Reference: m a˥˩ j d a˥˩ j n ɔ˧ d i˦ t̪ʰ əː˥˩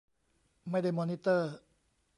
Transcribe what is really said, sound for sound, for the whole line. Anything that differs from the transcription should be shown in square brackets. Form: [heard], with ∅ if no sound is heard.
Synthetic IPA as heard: m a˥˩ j d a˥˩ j [m] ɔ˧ [n] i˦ [t̪] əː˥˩